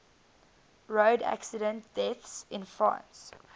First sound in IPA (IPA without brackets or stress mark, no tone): ɹ